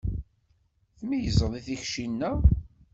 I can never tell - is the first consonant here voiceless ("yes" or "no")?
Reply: yes